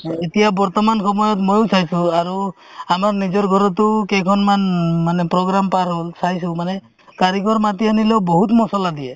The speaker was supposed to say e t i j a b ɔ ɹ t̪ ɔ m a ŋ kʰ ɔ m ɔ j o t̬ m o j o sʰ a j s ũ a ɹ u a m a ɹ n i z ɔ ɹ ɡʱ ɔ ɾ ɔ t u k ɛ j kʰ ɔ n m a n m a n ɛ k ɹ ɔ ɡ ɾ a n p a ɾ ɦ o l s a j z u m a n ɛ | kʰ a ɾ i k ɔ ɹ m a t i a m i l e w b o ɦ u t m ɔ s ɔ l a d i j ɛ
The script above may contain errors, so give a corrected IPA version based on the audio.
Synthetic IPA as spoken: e t i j a b ɔ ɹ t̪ ɔ m a n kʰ ɔ m ɔ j ɔ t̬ m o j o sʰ a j s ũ a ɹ u a m a ɹ n i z ɔ ɹ ɡʱ ɔ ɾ ɔ t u k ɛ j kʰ ɔ n m a n m a n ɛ p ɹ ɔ ɡ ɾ a m p a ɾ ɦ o l s a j s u m a n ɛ | k a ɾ i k ɔ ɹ m a t i a n i l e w b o ɦ u t m ɔ s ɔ l a d i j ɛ